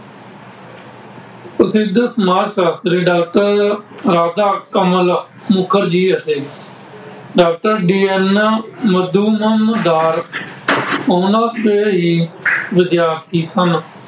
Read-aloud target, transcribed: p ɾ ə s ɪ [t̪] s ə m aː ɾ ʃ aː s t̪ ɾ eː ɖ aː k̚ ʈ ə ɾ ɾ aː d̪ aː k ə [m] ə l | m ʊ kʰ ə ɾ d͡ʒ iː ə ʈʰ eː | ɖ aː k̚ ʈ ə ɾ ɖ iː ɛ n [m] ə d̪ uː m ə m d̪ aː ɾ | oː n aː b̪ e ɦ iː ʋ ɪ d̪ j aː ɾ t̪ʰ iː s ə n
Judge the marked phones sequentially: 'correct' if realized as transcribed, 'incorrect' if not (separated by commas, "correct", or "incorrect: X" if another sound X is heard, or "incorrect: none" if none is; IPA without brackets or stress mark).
incorrect: d̪, correct, correct